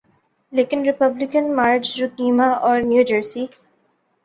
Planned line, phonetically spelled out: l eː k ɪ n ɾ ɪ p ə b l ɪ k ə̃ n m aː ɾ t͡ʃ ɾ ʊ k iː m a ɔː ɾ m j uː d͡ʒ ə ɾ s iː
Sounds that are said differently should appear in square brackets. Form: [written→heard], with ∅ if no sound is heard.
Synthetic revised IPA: l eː k ɪ n ɾ ɪ p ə b l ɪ k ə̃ n m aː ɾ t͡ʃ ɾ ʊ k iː m a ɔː ɾ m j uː d͡ʒ ə ɾ s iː